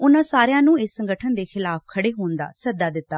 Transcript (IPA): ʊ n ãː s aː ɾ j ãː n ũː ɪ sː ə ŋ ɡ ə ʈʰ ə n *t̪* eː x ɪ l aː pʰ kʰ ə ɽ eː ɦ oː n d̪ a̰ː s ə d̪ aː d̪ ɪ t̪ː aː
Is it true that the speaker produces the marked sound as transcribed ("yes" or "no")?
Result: no